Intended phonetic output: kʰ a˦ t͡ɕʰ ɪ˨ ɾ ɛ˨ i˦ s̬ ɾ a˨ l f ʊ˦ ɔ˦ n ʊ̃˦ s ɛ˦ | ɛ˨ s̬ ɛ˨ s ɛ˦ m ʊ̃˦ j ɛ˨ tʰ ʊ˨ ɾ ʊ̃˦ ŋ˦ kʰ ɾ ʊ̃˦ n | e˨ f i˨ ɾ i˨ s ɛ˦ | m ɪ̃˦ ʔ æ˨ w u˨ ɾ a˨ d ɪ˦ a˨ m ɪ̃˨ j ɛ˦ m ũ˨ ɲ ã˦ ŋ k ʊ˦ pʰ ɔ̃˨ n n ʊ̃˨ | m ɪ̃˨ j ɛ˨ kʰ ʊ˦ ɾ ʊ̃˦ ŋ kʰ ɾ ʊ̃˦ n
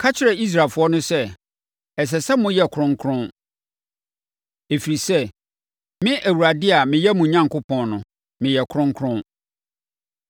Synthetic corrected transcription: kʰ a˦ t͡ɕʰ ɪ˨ ɾ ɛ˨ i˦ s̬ ɾ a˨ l f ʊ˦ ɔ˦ n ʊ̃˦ s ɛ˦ | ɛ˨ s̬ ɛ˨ s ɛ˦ m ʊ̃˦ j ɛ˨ kʰ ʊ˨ ɾ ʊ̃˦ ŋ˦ kʰ ɾ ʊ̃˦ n | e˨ f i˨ ɾ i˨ s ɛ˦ | m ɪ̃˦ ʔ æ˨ w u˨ ɾ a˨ d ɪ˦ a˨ m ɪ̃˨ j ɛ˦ m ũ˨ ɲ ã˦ ŋ k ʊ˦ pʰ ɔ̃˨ n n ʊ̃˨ | m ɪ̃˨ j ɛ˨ kʰ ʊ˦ ɾ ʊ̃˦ ŋ kʰ ɾ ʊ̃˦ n